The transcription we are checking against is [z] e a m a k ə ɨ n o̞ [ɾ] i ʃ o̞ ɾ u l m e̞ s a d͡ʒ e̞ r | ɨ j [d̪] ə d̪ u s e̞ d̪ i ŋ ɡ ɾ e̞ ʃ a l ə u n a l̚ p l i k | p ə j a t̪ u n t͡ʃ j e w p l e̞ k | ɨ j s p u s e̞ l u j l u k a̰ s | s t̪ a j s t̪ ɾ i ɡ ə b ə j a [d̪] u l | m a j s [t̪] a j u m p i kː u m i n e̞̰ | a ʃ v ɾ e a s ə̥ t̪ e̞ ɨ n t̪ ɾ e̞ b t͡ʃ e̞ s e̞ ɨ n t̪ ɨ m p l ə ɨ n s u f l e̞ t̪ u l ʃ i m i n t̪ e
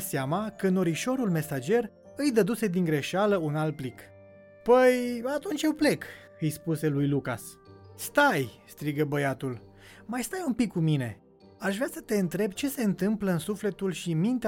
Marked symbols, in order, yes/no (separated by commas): no, yes, yes, no, yes